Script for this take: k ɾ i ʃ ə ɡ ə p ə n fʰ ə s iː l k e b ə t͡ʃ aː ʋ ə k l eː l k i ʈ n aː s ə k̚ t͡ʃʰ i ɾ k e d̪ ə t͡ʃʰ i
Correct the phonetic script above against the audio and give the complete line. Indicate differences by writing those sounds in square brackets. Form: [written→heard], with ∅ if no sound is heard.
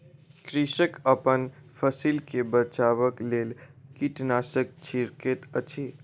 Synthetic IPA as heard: k ɾ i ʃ ə [ɡ→k] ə p ə n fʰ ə s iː l k e b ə t͡ʃ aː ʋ ə k l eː l k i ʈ n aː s ə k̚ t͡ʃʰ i ɾ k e [d̪→t̪] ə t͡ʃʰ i